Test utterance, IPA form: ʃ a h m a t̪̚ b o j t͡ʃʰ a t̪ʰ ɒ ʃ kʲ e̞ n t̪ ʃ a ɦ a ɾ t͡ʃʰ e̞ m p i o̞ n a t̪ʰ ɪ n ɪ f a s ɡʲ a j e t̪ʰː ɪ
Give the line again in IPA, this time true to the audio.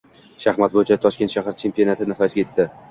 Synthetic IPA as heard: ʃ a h m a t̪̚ b o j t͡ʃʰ a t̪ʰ ɒ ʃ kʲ e̞ n t̪ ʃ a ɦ a ɾ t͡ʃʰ e̞ m p i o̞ n a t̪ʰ ɪ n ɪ f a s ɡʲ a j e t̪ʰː ɪ